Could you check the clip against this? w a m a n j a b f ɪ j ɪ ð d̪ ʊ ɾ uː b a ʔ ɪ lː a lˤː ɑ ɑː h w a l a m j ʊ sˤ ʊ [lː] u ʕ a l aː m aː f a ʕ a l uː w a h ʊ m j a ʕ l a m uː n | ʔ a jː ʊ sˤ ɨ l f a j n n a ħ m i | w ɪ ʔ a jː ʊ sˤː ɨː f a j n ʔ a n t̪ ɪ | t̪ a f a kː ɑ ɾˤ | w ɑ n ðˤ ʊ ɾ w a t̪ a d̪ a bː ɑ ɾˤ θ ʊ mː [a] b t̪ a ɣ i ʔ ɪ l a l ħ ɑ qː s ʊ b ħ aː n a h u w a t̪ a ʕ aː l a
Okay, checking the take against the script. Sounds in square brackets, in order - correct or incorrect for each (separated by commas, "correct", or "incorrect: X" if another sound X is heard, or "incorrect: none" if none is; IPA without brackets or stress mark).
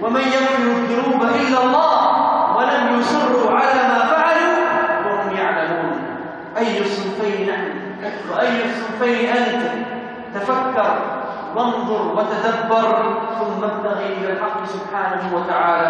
incorrect: rː, correct